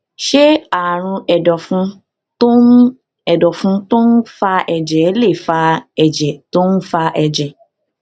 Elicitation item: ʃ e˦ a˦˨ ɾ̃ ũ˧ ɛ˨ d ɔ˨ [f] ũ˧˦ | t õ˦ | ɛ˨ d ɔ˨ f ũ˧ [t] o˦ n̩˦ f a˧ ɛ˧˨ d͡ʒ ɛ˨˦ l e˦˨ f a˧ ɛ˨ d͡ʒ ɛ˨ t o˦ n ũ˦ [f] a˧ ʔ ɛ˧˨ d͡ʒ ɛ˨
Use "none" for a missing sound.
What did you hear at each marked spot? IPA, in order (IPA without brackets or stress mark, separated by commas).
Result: f, t, f